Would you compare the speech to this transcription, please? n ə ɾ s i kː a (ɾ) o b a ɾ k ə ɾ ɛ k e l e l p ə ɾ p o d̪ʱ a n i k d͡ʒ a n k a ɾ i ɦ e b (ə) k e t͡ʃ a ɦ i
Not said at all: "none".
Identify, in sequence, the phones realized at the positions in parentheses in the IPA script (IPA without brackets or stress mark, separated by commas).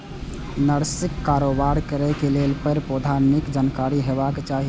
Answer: ɾ, a